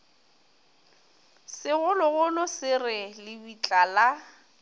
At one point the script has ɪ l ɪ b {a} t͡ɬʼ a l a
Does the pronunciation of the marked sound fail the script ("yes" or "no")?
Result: yes